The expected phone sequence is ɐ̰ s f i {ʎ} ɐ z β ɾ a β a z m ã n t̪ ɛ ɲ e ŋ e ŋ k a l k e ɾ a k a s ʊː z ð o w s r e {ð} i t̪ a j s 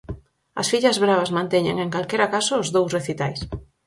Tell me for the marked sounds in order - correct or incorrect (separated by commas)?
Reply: correct, incorrect